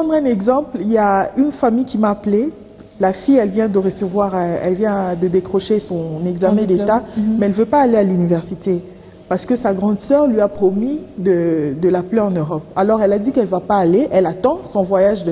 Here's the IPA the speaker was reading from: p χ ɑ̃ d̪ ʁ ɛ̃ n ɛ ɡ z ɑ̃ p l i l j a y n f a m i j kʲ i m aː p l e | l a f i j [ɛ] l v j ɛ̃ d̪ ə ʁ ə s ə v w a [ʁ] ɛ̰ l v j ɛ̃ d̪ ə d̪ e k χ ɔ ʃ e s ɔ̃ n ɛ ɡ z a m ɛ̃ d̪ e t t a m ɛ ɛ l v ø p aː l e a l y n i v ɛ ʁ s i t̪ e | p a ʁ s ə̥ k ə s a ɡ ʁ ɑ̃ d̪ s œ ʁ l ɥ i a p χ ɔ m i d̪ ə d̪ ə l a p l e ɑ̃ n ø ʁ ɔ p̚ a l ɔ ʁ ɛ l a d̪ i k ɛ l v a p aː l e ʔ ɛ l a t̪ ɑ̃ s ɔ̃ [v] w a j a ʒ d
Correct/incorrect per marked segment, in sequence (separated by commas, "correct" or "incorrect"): correct, correct, correct